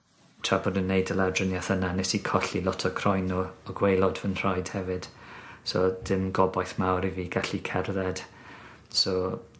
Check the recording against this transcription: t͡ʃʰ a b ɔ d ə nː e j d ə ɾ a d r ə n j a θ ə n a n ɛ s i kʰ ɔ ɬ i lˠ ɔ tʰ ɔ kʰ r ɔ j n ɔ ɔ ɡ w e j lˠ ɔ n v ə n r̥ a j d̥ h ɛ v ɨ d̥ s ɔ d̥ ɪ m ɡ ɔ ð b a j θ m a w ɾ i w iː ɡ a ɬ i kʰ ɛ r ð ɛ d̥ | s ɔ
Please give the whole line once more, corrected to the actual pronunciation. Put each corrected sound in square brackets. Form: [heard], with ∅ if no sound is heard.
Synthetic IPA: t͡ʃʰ a b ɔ d ə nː e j d ə [l] a d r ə n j a θ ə n a n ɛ s i kʰ ɔ ɬ i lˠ ɔ tʰ ɔ kʰ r ɔ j n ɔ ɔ ɡ w e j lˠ ɔ [d] v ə n r̥ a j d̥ h ɛ v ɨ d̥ s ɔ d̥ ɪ m ɡ ɔ [∅] b a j θ m a w ɾ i [v] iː ɡ a ɬ i kʰ ɛ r ð ɛ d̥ | s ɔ